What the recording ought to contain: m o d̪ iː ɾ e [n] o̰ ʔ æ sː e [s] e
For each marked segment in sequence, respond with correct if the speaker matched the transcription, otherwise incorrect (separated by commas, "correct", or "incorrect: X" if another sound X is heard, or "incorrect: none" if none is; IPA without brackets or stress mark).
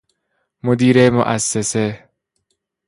incorrect: m, correct